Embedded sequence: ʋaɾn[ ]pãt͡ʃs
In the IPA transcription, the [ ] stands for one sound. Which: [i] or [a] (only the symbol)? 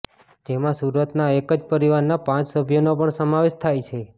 a